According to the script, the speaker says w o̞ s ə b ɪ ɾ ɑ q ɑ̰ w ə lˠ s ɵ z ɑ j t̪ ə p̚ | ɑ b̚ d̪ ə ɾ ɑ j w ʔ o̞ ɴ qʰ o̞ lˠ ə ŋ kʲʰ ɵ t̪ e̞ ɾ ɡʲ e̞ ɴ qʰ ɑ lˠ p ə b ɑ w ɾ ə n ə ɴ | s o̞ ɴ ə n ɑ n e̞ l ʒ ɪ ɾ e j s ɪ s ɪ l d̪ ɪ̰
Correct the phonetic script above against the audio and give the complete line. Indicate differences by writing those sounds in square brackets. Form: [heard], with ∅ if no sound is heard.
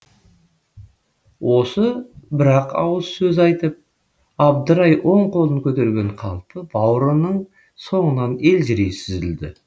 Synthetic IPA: w o̞ s ə b ɪ ɾ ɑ q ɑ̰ w ə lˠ s ɵ z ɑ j t̪ ə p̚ | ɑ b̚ d̪ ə ɾ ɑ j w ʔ o̞ ɴ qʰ o̞ lˠ ə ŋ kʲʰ ɵ t̪ e̞ ɾ ɡʲ e̞ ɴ qʰ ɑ lˠ p ə b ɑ w ɾ ə n ə ɴ | s o̞ ɴ ə n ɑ n e̞ l ʒ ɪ ɾ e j s ɪ [z] ɪ l d̪ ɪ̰